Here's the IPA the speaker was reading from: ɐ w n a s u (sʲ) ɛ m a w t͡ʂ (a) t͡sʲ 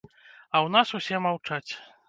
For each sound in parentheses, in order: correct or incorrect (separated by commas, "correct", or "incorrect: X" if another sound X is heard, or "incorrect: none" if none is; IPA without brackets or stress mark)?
correct, correct